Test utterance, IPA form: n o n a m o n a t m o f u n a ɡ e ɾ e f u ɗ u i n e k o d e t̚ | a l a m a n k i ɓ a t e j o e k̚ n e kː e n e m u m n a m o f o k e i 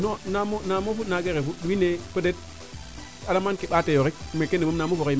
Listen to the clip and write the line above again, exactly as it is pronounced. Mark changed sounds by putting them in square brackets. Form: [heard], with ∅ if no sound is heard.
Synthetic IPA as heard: n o n a m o n a [∅] m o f u n a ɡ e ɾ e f u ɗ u i n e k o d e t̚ | a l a m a n k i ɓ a t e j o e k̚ [m] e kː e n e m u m n a m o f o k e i

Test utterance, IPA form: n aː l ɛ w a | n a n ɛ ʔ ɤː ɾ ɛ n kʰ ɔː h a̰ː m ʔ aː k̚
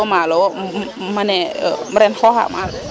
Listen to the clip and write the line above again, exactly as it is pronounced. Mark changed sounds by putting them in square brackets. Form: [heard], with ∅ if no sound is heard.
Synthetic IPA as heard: [m] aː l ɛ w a | [m] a n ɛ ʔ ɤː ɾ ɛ n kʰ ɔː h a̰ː m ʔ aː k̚

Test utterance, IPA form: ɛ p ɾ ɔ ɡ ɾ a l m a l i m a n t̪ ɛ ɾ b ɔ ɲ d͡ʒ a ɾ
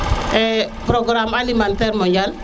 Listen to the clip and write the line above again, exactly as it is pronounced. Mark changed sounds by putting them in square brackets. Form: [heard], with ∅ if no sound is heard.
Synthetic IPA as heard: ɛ p ɾ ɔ ɡ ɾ a [∅] m a l i m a n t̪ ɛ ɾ [m] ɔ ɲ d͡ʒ a [l]

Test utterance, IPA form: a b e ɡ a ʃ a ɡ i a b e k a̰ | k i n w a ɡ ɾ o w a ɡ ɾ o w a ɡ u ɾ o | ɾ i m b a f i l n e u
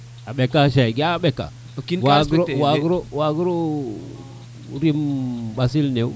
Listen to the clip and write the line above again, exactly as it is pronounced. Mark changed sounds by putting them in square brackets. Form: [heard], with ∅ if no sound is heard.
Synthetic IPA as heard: a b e [k] a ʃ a ɡ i a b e k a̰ | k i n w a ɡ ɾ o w a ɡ ɾ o w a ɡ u ɾ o | ɾ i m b a [s] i l n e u

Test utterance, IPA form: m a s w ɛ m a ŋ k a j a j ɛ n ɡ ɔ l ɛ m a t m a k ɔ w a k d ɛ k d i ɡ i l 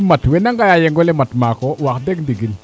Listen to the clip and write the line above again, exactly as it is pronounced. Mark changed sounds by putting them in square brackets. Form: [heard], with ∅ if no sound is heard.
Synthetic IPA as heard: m a [t] w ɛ [n] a ŋ [ɡ] a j a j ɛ [ŋ] ɡ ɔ l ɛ m a t m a k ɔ w a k d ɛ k d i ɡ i l

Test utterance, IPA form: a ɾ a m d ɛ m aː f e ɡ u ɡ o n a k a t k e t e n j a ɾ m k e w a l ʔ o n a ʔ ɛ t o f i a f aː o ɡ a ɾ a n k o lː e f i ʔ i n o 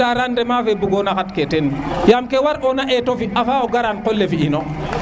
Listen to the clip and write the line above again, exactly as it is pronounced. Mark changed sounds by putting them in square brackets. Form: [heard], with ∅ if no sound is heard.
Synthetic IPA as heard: a ɾ a [n] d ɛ m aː f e [b] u ɡ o n a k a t k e t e n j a [∅] m k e w a [ɾ] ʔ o n a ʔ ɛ t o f i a f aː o ɡ a ɾ a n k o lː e f i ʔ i n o

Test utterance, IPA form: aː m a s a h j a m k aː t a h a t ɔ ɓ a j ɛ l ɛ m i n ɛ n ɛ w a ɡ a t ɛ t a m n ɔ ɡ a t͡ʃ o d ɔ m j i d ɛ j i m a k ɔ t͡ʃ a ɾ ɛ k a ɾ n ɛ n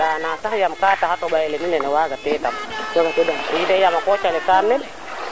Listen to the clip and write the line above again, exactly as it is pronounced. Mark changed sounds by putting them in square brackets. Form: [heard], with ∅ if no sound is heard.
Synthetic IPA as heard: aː [n] a s a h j a m k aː t a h a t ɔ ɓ a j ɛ l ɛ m i n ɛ n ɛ w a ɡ a t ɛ t a m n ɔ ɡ a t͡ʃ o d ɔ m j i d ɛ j [a] m a k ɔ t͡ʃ a [l] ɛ k a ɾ n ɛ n

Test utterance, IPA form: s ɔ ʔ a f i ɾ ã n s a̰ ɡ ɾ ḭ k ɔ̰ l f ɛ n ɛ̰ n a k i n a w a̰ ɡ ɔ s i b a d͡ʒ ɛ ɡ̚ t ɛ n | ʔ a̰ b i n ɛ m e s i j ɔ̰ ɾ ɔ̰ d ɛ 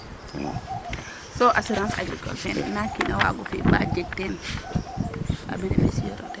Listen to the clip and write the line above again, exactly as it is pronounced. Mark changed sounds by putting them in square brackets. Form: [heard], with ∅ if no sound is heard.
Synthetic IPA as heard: s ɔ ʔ a [s] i ɾ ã n s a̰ ɡ ɾ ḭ k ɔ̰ l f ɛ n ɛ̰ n a k i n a w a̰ ɡ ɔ [f] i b a d͡ʒ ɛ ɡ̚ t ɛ n | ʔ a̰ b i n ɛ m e s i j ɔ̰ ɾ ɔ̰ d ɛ

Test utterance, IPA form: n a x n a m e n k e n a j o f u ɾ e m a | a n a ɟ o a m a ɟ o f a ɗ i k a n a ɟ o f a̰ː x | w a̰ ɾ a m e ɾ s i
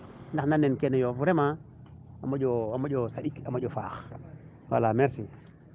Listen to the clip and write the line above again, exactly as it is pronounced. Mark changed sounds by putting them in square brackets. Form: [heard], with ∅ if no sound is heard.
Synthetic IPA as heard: n a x n a [n] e n k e n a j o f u ɾ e m a | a [m] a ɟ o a m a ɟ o [s] a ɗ i k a [m] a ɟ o f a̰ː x | w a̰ [l] a m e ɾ s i

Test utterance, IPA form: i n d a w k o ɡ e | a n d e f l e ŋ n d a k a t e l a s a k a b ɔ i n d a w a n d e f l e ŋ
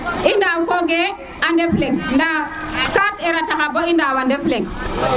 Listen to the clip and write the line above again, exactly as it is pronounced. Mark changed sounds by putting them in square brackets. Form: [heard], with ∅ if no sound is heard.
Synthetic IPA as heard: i n d a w k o ɡ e | a n d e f l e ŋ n d a k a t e [ɾ] a [t] a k a b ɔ i n d a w a n d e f l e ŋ

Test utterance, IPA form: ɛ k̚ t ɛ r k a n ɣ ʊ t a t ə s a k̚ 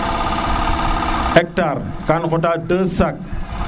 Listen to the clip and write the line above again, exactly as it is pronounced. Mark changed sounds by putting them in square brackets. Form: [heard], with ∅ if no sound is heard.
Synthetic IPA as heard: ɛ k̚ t [a] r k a n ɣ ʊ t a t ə s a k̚

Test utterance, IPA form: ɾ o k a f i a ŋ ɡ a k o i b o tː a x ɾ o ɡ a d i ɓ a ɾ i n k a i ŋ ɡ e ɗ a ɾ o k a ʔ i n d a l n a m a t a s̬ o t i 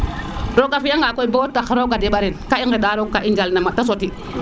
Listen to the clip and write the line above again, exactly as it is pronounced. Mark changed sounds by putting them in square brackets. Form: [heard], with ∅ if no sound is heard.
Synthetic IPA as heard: ɾ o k a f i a ŋ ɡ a k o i b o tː a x ɾ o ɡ a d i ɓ a ɾ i n k a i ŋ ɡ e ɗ a ɾ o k a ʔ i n [d͡ʒ] a l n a m a t a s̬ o t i

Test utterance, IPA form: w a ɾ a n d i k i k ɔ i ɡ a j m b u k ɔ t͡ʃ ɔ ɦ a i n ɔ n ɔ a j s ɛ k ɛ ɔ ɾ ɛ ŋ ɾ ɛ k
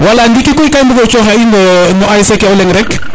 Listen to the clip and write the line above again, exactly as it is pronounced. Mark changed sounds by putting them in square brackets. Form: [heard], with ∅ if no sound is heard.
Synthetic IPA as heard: w a [l] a n d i k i k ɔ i [k] a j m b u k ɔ t͡ʃ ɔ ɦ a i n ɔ n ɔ a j s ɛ k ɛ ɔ [l] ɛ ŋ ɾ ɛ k

